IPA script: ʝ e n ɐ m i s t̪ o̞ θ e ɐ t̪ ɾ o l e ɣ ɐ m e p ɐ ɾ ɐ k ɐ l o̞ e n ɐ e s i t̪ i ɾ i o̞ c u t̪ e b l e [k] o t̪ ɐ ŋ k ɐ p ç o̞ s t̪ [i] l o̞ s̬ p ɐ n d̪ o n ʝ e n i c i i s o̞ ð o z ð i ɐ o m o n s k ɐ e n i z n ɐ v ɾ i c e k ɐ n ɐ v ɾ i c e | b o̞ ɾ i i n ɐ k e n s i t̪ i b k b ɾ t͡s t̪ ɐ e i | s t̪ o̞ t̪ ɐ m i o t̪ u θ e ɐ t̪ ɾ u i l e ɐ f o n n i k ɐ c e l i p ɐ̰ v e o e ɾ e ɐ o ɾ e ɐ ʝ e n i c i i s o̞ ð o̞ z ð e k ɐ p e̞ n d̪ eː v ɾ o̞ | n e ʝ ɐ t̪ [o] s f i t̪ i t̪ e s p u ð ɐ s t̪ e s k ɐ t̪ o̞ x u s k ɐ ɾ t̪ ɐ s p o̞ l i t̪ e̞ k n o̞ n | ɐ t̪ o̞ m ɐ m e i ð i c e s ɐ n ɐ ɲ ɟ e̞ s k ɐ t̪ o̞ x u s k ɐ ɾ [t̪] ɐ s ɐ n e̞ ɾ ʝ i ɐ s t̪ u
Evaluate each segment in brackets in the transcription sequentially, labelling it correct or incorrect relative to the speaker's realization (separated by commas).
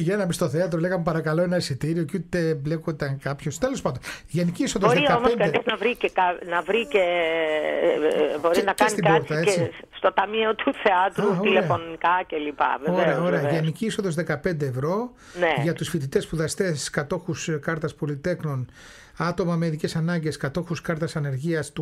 correct, incorrect, incorrect, correct